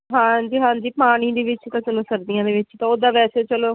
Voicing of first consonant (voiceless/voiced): voiced